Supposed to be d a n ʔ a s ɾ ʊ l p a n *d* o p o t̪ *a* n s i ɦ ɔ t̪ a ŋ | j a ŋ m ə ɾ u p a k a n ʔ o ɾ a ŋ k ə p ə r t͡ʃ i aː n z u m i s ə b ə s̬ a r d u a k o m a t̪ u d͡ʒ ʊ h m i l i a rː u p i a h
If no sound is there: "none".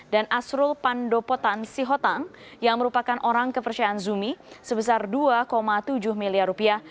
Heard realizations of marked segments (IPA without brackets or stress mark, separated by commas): d, a